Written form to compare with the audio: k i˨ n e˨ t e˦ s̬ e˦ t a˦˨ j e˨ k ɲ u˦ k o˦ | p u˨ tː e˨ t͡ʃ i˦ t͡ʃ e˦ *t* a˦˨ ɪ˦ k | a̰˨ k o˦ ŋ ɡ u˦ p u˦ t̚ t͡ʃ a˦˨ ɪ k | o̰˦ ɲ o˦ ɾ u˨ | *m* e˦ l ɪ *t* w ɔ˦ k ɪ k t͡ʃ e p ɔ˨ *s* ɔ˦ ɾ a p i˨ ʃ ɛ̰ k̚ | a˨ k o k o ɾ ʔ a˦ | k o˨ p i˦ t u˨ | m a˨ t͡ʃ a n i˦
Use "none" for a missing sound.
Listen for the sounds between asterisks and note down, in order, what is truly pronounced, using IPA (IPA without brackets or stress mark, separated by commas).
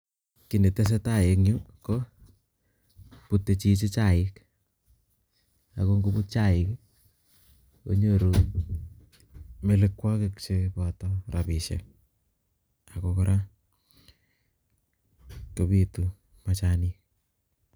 t͡ʃ, m, k, t